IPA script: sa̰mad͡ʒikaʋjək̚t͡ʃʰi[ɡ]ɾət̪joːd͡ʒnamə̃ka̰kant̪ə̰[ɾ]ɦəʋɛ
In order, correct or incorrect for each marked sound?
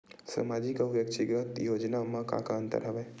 correct, correct

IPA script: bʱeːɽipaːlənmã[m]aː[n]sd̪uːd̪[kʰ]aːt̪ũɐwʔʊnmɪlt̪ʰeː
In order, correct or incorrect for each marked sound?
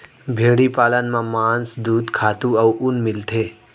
correct, correct, correct

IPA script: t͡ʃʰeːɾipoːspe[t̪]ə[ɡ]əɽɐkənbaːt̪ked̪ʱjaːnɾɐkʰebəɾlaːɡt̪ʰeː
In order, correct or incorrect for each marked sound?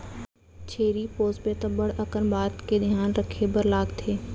correct, incorrect: b

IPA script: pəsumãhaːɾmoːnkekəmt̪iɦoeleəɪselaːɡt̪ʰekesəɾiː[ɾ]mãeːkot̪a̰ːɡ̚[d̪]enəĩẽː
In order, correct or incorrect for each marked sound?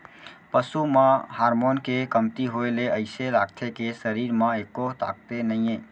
correct, incorrect: t̪

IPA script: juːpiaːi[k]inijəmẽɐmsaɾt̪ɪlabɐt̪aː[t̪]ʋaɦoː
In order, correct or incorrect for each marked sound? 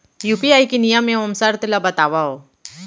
correct, incorrect: none

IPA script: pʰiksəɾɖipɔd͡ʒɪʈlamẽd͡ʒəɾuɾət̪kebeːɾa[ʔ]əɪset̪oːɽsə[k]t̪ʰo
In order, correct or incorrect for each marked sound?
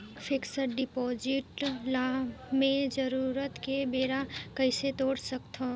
incorrect: k, correct

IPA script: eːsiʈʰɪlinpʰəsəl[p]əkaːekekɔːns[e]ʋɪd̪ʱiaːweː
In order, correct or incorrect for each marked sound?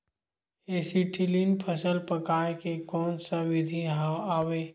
correct, incorrect: a

